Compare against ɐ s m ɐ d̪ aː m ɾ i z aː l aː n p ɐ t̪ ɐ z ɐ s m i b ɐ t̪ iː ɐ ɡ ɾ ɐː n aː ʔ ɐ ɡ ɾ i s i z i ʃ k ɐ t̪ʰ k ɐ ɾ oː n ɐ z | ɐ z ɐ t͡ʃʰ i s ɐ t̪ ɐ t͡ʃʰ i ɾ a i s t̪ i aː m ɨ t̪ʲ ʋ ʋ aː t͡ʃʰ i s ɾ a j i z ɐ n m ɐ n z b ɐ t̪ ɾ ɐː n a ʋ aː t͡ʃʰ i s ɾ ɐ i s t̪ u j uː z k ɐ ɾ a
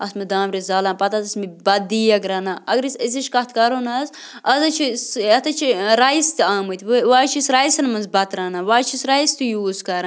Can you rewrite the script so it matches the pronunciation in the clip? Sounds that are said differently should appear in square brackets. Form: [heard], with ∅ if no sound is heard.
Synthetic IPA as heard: ɐ s m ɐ d̪ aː m ɾ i z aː l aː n p ɐ t̪ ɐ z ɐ s m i b ɐ [d̪] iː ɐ ɡ ɾ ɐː n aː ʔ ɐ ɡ ɾ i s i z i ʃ k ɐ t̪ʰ k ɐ ɾ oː n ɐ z | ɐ z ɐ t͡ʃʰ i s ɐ t̪ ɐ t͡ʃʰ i ɾ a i s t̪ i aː m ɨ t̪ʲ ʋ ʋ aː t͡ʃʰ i s ɾ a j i [s] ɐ n m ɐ n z b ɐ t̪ ɾ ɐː n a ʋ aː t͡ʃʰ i s ɾ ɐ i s t̪ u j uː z k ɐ ɾ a